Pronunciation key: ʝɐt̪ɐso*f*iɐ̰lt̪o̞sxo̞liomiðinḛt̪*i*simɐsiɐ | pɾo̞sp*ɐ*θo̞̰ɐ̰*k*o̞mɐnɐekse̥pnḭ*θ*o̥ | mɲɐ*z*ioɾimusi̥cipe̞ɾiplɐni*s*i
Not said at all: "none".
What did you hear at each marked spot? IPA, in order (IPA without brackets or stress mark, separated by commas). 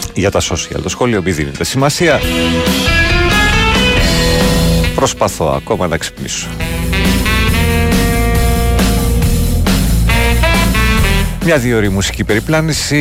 s, e, ɐ, k, s, ð, s